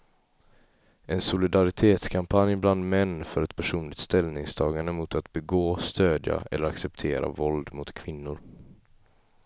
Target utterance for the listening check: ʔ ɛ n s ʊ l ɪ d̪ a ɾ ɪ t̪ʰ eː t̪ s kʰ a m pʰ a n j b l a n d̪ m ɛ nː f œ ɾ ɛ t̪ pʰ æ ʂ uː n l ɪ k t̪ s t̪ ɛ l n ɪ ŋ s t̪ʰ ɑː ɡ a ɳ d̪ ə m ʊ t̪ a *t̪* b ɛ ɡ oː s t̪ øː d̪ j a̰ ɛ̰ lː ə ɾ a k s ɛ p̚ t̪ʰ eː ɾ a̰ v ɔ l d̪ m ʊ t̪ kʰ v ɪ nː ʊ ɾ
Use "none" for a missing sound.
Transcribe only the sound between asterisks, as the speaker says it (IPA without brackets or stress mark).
t̪